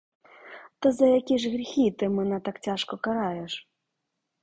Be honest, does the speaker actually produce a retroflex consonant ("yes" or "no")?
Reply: yes